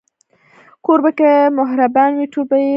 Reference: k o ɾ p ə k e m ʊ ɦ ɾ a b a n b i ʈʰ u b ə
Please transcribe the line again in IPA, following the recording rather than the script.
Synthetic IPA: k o ɾ b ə k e m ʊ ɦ ɾ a b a n w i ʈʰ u b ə